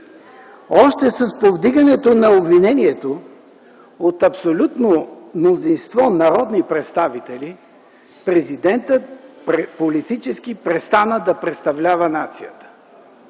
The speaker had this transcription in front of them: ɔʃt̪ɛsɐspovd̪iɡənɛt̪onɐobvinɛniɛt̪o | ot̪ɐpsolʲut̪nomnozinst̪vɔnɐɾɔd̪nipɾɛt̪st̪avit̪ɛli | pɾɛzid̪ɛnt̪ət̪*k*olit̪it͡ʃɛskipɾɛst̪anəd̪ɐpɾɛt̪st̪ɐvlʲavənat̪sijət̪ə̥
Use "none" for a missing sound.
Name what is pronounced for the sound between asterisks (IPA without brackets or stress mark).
p